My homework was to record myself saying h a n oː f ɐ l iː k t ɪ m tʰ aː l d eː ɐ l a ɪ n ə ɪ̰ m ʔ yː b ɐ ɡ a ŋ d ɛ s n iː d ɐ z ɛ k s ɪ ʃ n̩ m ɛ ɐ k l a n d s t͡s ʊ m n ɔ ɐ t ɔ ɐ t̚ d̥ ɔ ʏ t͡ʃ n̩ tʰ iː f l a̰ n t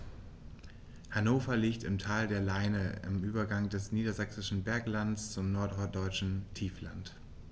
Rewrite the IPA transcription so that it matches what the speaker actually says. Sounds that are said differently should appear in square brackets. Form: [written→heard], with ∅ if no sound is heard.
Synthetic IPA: h a n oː f ɐ l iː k t ɪ m tʰ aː l d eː ɐ l a ɪ n ə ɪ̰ m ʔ yː b ɐ ɡ a ŋ d ɛ s n iː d ɐ z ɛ k s ɪ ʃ n̩ [m→b] ɛ ɐ k l a n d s t͡s ʊ m n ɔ ɐ t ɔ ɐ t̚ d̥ ɔ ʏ t͡ʃ n̩ tʰ iː f l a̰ n t

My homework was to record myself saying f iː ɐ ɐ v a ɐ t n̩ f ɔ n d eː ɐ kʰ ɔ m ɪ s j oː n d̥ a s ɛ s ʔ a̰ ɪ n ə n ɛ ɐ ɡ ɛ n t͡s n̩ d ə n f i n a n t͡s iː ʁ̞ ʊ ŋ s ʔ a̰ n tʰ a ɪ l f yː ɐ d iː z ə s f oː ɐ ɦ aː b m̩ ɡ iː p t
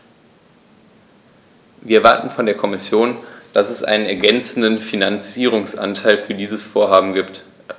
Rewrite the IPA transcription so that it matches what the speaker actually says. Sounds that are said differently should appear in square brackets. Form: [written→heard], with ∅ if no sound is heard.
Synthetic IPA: [f→v] iː ɐ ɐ v a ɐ t n̩ f ɔ n d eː ɐ kʰ ɔ m ɪ s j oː n d̥ a s ɛ s ʔ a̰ ɪ n ə n ɛ ɐ ɡ ɛ n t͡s n̩ d ə n f i n a n t͡s iː ʁ̞ ʊ ŋ s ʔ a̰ n tʰ a ɪ l f yː ɐ d iː z ə s f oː ɐ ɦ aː b m̩ ɡ iː p t

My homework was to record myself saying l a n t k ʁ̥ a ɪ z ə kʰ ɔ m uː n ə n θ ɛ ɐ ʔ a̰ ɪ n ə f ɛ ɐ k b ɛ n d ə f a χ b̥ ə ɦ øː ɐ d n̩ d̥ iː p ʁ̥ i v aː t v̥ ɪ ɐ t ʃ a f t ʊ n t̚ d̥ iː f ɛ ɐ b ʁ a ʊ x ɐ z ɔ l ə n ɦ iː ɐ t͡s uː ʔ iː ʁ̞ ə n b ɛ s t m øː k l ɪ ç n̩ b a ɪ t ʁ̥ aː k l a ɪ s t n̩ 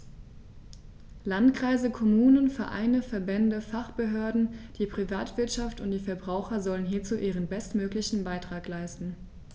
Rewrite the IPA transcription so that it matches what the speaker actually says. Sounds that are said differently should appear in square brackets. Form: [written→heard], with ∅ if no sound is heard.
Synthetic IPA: l a n t k ʁ̥ a ɪ z ə kʰ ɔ m uː n ə n [θ→f] ɛ ɐ ʔ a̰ ɪ n ə f ɛ ɐ [k→∅] b ɛ n d ə f a χ b̥ ə ɦ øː ɐ d n̩ d̥ iː p ʁ̥ i v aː t v̥ ɪ ɐ t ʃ a f t ʊ n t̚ d̥ iː f ɛ ɐ b ʁ a ʊ x ɐ z ɔ l ə n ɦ iː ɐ t͡s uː ʔ iː ʁ̞ ə n b ɛ s t m øː k l ɪ ç n̩ b a ɪ t ʁ̥ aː k l a ɪ s t n̩

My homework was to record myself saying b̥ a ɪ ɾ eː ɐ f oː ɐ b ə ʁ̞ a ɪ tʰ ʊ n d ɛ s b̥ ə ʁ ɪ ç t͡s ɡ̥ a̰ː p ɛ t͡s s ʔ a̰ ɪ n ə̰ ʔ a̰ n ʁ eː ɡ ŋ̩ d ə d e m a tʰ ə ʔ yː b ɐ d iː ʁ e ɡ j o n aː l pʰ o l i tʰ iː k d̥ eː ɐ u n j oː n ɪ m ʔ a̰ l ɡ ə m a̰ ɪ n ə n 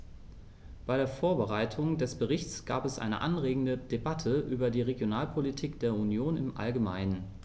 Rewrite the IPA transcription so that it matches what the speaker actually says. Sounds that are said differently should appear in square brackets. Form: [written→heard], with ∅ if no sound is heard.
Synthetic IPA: b̥ a ɪ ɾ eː ɐ f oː ɐ b ə ʁ̞ a ɪ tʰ ʊ [n→ŋ] d ɛ s b̥ ə ʁ ɪ ç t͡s ɡ̥ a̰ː p ɛ [t͡s→∅] s ʔ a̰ ɪ n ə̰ ʔ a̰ n ʁ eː ɡ ŋ̩ d ə d e [m→b] a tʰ ə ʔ yː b ɐ d iː ʁ e ɡ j o n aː l pʰ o l i tʰ iː k d̥ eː ɐ u n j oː n ɪ m ʔ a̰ l ɡ ə m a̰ ɪ n ə n

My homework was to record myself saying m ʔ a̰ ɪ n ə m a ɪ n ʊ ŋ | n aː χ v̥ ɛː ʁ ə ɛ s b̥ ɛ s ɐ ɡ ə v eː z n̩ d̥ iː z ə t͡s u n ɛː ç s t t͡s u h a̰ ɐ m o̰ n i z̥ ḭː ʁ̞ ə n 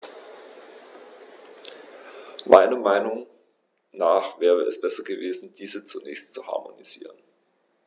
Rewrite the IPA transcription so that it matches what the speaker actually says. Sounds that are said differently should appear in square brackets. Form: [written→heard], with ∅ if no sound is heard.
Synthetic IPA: m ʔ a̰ ɪ n [ə→ɐ] m a ɪ n ʊ ŋ | n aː χ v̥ ɛː ʁ ə ɛ s b̥ ɛ s ɐ ɡ ə v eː z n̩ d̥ iː z ə t͡s u n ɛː ç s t t͡s u h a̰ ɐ m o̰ n i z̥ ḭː ʁ̞ ə n

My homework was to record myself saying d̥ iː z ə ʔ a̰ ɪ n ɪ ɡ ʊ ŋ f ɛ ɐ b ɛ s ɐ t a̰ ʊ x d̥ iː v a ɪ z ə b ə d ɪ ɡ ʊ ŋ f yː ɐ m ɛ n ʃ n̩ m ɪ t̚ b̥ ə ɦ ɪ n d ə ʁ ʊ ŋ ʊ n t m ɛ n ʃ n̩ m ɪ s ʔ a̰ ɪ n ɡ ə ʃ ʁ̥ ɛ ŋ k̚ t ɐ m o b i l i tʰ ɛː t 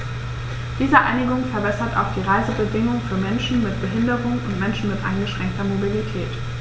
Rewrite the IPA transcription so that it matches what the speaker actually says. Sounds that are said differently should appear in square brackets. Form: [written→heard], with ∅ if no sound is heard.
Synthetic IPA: d̥ iː z ə ʔ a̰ ɪ n ɪ ɡ ʊ ŋ f ɛ ɐ b ɛ s ɐ t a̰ ʊ x d̥ iː [v→ʁ] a ɪ z ə b ə d ɪ [ɡ→ŋ] ʊ ŋ f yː ɐ m ɛ n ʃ n̩ m ɪ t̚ b̥ ə ɦ ɪ n d ə ʁ ʊ ŋ ʊ n t m ɛ n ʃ n̩ m ɪ [s→t] ʔ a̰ ɪ n ɡ ə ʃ ʁ̥ ɛ ŋ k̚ t ɐ m o b i l i tʰ ɛː t

